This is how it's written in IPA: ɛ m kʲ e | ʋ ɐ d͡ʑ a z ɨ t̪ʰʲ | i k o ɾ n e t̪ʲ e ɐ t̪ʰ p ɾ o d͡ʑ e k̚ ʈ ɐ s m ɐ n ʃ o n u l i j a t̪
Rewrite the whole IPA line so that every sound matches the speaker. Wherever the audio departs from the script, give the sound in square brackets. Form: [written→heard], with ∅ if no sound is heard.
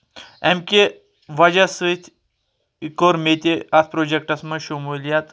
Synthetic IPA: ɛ m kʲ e | ʋ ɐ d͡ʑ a [z→s] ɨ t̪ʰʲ | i k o ɾ [n→m] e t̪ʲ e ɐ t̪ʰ p ɾ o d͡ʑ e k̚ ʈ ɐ s m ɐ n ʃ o [n→m] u l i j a t̪